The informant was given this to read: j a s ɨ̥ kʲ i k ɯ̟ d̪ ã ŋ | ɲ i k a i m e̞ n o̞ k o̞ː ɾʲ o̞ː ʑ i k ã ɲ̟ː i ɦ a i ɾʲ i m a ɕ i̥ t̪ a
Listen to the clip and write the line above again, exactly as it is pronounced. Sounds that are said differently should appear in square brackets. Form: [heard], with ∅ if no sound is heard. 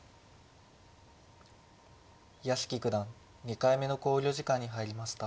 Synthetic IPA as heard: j a s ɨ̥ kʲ i k ɯ̟ d̪ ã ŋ | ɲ i k a i m e̞ n o̞ k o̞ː ɾʲ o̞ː ʑ i k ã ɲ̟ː i ɦ a i ɾʲ i m a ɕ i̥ t̪ a